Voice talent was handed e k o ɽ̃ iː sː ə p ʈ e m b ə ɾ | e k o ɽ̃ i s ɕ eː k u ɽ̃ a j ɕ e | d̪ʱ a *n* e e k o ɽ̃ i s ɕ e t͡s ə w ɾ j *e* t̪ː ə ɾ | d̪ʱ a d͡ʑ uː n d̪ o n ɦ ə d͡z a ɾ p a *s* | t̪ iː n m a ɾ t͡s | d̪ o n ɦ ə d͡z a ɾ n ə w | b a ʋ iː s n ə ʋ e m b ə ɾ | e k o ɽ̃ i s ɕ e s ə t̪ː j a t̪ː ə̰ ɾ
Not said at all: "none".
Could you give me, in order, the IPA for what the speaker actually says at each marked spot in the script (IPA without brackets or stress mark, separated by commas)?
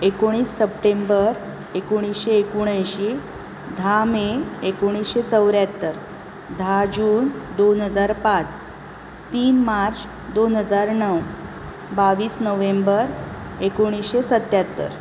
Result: m, a, t͡s